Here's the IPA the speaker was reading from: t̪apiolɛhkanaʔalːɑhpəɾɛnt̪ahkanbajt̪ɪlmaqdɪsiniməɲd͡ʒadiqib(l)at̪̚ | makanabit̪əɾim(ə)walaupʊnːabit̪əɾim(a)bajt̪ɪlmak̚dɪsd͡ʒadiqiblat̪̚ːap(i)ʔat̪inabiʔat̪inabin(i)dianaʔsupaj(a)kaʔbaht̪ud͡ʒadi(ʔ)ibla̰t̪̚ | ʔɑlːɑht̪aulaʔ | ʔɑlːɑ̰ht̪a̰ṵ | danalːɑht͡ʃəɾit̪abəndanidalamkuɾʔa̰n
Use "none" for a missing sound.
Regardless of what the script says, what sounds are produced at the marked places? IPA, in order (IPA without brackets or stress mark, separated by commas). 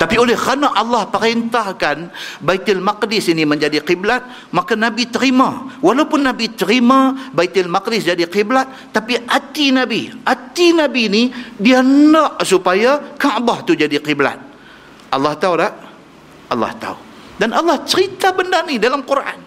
l, a, a, i, i, a, q